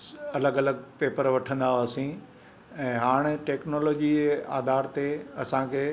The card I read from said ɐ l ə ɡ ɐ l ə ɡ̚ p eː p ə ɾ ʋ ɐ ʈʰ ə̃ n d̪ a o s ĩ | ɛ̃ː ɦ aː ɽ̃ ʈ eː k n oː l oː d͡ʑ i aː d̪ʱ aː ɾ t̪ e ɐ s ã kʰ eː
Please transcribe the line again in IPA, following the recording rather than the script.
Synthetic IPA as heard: ɐ l ə ɡ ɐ l ə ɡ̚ p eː p ə ɾ ʋ ɐ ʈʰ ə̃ n d̪ a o s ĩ | ɛ̃ː ɦ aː ɽ̃ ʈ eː k n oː l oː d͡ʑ i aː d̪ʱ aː ɾ t̪ e ɐ s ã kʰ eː